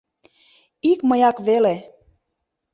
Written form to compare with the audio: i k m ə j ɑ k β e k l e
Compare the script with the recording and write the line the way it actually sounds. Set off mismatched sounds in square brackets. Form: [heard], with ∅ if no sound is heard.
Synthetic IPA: i k m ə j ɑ k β e [∅] l e